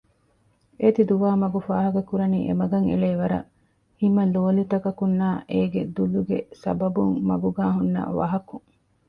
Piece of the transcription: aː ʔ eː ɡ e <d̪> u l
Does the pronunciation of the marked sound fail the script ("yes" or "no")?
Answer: no